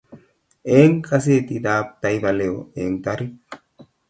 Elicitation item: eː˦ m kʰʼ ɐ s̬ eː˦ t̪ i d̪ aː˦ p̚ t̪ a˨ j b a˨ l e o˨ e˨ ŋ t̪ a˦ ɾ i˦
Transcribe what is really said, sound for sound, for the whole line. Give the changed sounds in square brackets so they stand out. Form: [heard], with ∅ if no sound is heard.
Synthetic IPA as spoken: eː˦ [ŋ] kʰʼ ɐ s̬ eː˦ t̪ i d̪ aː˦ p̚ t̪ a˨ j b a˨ l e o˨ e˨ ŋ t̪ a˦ ɾ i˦